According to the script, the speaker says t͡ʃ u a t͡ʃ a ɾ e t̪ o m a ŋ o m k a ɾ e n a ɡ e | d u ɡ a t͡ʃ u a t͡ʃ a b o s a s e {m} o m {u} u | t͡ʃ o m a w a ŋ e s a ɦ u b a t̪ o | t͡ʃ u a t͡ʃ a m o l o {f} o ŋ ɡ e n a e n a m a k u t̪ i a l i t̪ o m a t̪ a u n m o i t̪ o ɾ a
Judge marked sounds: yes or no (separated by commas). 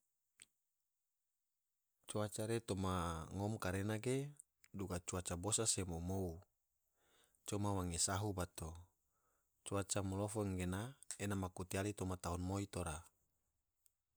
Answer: yes, no, yes